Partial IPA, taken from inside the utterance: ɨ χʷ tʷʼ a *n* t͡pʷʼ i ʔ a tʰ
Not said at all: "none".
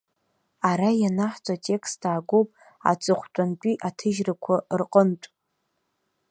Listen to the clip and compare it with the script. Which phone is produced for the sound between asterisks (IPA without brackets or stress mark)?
n